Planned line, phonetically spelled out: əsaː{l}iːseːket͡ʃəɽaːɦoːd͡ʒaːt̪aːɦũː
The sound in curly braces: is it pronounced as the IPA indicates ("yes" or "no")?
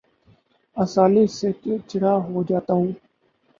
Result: yes